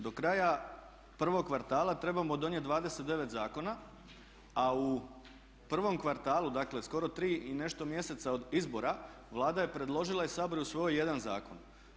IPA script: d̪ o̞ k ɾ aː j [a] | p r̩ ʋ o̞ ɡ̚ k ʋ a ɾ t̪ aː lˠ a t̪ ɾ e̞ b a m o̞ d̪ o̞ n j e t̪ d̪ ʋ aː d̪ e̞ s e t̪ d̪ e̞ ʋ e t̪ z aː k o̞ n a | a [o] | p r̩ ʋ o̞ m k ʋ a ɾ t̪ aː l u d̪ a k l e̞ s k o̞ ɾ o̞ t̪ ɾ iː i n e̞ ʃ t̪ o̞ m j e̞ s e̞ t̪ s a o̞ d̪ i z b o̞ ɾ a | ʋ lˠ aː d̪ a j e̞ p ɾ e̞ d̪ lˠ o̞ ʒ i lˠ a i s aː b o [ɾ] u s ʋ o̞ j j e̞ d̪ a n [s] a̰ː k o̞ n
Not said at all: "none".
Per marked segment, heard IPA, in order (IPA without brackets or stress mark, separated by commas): a, u, ɾ, z